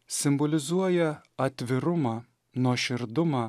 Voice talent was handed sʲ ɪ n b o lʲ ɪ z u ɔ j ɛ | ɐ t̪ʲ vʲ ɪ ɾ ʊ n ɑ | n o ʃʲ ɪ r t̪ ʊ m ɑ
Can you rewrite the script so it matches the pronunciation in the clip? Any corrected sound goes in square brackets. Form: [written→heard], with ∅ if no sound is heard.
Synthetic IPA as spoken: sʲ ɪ [n→m] b o lʲ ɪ z u ɔ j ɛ | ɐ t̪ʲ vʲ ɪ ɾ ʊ [n→m] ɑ | n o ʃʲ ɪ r [t̪→d̪] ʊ m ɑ